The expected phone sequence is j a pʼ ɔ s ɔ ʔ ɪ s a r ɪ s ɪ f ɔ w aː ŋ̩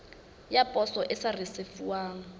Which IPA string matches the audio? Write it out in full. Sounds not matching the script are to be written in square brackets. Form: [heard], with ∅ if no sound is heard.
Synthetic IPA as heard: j a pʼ ɔ s ɔ ʔ ɪ s a r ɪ s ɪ f [u] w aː ŋ̩